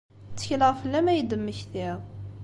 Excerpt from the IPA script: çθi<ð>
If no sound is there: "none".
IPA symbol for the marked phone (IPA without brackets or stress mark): ʁ